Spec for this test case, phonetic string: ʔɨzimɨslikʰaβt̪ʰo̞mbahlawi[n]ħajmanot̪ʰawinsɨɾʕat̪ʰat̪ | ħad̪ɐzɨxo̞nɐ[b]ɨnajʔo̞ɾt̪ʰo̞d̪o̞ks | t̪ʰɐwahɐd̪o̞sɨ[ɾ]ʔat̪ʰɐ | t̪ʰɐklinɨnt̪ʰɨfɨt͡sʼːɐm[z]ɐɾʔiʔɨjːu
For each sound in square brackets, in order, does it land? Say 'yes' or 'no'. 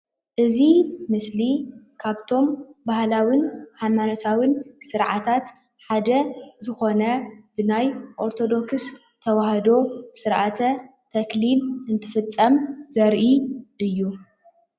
yes, yes, yes, yes

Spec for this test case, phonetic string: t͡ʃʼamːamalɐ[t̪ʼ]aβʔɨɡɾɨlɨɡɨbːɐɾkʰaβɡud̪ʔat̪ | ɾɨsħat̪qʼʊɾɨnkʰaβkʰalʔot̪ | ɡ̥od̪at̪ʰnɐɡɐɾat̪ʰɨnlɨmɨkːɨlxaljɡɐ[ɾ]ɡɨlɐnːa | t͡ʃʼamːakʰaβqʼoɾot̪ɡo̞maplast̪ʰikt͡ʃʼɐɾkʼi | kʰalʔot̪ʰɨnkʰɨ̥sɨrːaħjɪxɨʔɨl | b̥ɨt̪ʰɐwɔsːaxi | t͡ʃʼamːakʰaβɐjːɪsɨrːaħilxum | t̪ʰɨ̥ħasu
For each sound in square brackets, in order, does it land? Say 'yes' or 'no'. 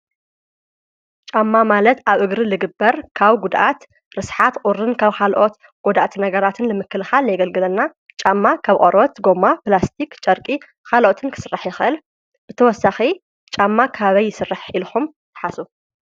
no, no

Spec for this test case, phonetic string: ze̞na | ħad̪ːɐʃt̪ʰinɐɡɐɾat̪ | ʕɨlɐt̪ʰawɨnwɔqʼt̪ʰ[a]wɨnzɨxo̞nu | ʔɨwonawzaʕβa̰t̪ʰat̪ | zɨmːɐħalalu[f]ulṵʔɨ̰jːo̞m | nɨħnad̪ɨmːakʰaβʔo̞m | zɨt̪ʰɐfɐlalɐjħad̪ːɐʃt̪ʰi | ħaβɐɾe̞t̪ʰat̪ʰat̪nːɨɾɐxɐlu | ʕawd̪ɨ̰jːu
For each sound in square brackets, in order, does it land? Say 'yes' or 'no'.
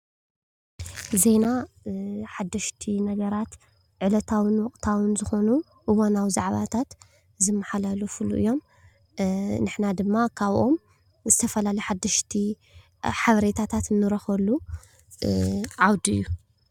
yes, yes

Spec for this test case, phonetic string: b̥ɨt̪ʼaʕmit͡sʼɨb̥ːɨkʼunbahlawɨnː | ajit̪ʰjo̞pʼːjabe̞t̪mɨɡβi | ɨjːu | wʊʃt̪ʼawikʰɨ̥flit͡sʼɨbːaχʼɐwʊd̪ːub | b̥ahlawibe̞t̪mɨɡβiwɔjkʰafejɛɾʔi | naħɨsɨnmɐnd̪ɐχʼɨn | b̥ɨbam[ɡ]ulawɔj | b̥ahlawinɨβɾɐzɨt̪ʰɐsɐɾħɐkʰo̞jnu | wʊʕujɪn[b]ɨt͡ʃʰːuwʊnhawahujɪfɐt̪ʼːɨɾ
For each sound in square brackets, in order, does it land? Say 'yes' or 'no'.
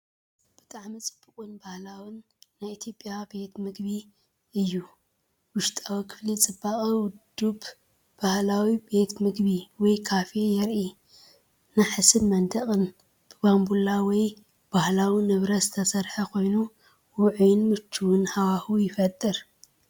no, no

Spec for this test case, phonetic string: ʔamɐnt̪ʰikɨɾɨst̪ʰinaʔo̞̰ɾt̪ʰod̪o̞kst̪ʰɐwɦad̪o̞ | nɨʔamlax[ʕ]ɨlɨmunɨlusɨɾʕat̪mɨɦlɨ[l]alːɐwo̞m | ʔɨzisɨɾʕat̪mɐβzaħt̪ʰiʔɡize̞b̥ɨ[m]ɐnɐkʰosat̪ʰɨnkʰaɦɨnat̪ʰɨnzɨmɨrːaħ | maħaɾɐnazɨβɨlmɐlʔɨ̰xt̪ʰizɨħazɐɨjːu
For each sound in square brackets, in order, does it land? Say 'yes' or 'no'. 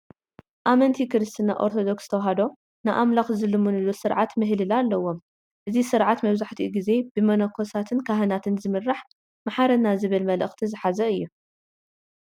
no, yes, yes

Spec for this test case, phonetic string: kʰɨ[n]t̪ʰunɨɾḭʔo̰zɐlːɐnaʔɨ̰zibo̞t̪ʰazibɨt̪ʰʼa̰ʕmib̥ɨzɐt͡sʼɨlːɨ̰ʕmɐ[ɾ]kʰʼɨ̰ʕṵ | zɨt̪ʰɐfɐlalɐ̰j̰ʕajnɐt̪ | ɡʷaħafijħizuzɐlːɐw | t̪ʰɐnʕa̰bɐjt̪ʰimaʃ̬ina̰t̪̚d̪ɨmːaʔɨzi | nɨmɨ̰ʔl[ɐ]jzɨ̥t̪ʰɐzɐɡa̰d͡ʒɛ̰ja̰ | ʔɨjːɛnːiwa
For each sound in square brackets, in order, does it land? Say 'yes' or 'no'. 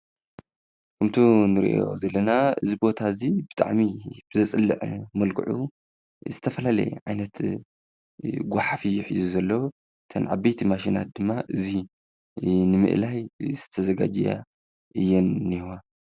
no, no, no

